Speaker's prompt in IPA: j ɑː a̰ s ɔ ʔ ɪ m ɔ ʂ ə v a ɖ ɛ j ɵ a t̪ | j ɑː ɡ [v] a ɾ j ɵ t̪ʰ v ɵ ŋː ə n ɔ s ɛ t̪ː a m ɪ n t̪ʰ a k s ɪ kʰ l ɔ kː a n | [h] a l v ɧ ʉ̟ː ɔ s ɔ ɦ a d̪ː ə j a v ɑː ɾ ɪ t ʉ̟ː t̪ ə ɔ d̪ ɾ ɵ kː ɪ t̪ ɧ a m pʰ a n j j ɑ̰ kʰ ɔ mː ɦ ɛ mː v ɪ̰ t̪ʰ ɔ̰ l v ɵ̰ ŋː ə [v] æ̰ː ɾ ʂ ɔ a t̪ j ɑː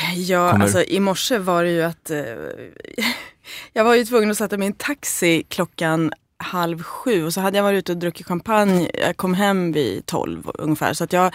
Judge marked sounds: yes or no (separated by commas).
yes, yes, no